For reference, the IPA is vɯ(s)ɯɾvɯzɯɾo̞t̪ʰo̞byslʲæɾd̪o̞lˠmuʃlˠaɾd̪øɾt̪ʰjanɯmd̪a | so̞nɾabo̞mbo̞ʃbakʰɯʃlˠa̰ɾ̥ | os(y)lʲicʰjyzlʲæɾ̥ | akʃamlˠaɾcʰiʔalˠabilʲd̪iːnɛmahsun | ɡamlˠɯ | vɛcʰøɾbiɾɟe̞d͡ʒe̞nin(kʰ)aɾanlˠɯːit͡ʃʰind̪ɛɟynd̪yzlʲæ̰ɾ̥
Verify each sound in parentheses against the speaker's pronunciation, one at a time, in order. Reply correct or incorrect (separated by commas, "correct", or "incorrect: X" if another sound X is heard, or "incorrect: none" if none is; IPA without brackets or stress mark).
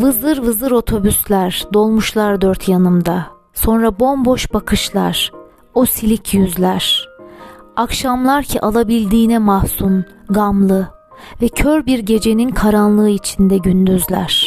incorrect: z, incorrect: i, correct